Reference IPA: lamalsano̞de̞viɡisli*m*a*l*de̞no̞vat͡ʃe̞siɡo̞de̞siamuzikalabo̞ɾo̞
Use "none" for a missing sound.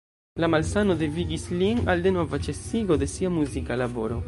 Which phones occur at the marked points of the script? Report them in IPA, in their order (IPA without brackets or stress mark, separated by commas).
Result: n, l